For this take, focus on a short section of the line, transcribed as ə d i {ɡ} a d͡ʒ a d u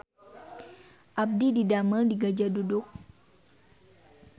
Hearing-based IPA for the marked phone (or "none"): ɡ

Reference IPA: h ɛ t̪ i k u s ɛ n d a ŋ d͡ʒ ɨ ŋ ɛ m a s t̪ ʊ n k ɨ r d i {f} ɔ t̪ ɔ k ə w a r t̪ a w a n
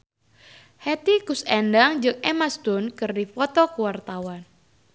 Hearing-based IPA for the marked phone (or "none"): f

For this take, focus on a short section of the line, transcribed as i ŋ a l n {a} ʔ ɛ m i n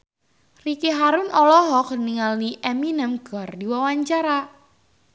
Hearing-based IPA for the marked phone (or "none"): i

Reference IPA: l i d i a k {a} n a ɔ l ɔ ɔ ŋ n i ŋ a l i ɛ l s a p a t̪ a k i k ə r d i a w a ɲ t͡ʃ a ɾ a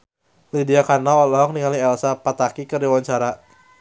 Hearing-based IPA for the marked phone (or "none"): a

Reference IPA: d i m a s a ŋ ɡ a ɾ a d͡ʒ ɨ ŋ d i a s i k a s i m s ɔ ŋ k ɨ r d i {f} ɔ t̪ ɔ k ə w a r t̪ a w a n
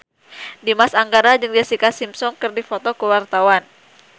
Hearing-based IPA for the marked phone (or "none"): f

